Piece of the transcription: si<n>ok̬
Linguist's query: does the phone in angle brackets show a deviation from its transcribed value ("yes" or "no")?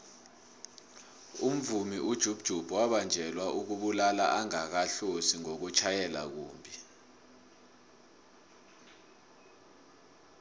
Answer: yes